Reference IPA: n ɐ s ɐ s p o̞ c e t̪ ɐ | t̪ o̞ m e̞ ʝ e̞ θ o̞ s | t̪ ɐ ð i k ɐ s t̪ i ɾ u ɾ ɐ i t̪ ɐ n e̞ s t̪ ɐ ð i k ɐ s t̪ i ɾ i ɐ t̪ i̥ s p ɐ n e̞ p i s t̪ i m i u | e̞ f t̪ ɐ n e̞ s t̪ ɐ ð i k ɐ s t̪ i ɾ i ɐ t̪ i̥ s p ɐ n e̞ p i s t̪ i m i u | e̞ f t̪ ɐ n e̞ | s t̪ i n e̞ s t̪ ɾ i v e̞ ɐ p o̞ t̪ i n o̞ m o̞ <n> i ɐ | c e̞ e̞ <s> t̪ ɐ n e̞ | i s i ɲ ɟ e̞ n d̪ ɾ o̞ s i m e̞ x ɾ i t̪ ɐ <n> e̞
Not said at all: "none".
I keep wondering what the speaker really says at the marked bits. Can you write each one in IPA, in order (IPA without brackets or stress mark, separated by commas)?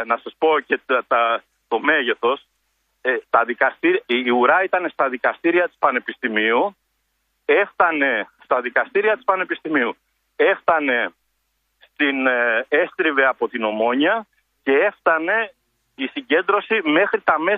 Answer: ɲ, f, m